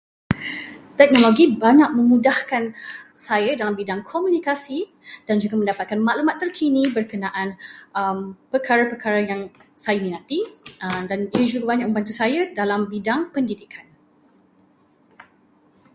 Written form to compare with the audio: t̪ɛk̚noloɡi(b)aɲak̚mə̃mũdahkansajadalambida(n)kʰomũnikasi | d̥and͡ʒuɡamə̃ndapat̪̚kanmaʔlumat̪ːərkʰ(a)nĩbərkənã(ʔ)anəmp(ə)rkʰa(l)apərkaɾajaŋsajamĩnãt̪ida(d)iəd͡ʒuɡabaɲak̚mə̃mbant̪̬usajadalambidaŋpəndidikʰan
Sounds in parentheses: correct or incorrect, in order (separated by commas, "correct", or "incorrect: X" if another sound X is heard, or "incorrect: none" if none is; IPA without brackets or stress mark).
correct, incorrect: ŋ, incorrect: i, correct, correct, incorrect: ɾ, incorrect: n